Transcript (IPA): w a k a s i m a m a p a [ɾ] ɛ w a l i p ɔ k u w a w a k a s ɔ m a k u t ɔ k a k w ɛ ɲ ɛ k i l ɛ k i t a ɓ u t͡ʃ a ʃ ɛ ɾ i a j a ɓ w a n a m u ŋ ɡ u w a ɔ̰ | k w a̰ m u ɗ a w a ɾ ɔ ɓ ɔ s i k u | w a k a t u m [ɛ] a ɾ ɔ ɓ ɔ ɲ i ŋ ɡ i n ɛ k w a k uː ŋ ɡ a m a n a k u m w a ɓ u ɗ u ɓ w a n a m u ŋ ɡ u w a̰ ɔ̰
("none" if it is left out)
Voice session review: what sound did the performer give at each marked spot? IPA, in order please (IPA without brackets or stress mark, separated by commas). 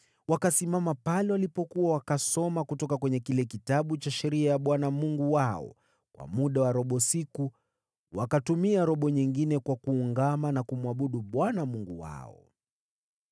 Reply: l, i